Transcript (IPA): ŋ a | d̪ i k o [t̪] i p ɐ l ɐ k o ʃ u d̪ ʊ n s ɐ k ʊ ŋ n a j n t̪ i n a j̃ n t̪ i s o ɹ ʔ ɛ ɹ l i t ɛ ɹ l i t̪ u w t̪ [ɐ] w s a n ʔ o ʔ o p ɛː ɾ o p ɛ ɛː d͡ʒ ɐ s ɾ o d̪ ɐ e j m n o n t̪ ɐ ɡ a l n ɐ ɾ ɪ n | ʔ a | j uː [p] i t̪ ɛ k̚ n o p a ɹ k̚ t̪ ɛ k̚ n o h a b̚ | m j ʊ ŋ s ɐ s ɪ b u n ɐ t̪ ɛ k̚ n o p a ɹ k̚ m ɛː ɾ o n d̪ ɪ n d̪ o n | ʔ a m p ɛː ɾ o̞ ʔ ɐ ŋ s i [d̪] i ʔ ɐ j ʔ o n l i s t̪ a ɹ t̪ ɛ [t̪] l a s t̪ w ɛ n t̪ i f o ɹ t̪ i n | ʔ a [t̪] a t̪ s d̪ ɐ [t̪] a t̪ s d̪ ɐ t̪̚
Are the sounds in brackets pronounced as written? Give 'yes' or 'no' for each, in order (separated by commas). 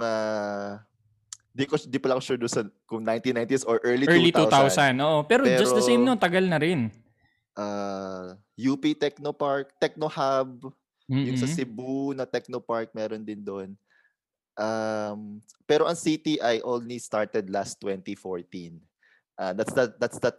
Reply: no, no, yes, no, no, no, no